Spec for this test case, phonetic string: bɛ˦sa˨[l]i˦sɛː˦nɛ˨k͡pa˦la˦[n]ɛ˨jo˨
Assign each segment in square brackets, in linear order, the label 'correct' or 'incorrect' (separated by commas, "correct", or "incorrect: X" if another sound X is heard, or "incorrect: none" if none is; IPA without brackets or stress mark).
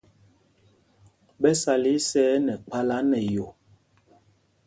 correct, correct